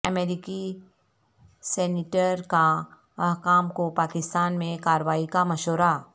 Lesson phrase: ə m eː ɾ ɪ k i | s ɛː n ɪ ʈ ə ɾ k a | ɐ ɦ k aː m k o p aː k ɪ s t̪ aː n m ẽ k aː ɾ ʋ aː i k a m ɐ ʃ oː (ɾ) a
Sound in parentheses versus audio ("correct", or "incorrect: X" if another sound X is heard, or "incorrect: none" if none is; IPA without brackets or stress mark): correct